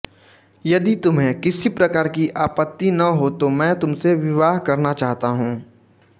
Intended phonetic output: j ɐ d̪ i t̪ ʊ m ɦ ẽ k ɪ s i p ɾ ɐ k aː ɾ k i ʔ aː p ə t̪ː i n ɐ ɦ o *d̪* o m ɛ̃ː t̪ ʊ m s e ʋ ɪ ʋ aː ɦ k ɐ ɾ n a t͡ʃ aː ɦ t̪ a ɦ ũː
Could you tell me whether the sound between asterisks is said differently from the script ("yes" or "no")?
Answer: yes